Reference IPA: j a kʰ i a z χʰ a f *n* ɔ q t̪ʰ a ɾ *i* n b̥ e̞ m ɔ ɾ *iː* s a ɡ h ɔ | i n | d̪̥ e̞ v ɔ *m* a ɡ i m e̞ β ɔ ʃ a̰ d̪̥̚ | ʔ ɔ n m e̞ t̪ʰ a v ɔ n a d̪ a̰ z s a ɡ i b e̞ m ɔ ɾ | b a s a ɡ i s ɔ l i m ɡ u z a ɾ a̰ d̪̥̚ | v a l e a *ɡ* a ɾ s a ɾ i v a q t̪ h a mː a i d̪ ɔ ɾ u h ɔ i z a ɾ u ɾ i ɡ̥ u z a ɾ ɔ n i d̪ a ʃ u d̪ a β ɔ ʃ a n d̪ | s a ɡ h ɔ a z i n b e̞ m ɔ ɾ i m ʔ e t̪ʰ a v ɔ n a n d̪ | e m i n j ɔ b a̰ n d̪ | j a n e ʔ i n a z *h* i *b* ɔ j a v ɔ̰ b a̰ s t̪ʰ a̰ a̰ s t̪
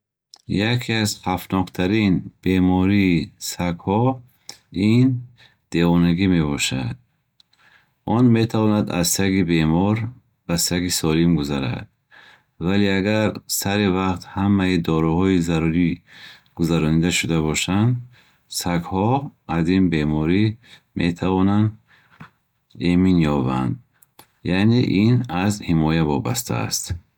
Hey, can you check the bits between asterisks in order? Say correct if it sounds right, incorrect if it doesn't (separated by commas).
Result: correct, correct, correct, incorrect, correct, correct, incorrect